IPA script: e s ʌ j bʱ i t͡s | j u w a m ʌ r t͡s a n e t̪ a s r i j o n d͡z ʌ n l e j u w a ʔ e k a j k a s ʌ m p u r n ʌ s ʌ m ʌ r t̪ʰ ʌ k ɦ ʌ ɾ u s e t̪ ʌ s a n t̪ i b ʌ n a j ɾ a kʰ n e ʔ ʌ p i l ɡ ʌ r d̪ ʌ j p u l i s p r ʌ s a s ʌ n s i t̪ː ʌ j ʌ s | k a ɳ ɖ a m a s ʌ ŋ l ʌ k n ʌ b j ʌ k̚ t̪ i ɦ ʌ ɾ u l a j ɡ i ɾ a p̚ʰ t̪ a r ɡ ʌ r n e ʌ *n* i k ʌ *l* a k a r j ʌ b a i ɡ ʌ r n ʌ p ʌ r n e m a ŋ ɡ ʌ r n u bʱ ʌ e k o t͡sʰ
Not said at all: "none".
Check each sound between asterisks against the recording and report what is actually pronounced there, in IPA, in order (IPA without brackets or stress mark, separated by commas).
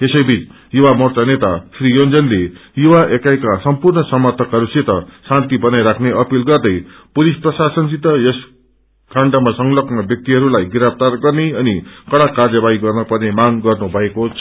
n, ɽ